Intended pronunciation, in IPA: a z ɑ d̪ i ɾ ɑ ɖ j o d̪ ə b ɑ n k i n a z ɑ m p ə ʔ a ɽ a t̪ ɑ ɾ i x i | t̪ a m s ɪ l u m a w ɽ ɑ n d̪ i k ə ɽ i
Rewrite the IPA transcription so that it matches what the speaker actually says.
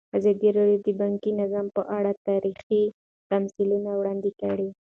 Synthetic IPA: a z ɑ d̪ i ɾ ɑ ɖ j o d̪ ə b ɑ ŋ k i n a z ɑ m p ə ʔ a ɽ a t̪ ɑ ɾ i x i | t̪ a m s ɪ l u n a w ɽ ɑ n d̪ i k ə ɽ i